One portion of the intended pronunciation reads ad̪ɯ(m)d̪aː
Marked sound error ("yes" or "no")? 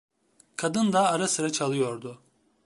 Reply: yes